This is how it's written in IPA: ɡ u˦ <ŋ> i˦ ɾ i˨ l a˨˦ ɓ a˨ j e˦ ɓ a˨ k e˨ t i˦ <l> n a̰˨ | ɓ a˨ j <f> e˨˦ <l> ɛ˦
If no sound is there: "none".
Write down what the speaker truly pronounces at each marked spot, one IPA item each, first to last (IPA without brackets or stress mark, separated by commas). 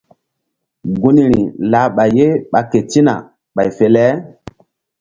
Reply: n, none, f, l